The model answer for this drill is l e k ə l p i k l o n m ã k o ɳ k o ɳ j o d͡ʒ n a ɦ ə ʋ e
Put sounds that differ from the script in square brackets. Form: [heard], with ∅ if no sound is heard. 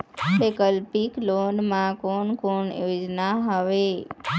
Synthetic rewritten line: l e k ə l p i k l o n m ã k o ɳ k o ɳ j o d͡ʒ n a ɦ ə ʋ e